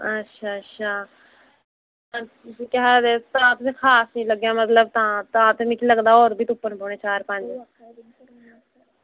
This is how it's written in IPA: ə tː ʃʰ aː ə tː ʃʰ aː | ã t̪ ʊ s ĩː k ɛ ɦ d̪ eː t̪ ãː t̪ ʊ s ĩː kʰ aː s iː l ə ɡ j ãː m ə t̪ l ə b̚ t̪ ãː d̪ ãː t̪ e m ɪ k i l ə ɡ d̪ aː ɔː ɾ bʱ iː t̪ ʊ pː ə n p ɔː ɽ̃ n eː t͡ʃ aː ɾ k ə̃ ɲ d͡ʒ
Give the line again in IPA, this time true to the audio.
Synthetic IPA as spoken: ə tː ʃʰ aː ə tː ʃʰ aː | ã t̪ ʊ s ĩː k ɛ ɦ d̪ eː t̪ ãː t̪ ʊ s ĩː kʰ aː s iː l ə ɡ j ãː m ə t̪ l ə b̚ t̪ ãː t̪ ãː t̪ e m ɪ k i l ə ɡ d̪ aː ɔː ɾ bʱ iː t̪ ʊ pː ə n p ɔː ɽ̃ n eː t͡ʃ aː ɾ p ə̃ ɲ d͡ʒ